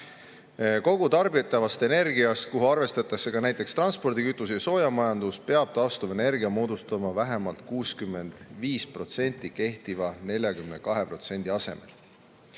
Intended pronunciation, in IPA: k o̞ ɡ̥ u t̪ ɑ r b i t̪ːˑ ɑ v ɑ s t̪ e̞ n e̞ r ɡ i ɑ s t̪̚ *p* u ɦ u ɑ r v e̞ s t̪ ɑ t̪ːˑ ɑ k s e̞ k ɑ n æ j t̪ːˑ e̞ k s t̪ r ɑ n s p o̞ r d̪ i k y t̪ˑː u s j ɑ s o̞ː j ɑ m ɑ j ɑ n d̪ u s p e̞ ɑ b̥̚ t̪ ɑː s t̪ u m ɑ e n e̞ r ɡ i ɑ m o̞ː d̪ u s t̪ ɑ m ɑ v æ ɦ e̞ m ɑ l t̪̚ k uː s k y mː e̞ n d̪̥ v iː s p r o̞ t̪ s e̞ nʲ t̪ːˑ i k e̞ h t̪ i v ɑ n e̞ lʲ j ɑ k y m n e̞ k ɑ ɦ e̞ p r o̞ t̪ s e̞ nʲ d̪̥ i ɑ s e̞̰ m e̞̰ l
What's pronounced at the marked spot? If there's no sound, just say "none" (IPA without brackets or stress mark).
k